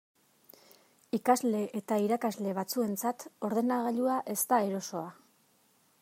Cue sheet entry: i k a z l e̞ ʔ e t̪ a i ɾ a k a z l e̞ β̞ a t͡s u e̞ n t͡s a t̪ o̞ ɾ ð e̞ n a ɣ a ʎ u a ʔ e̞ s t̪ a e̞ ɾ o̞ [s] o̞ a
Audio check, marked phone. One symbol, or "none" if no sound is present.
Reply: s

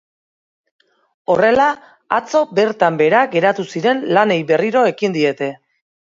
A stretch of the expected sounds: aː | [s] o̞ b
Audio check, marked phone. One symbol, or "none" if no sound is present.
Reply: t͡s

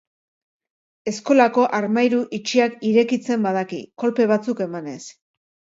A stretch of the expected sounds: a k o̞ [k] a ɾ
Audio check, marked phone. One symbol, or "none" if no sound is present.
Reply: ʔ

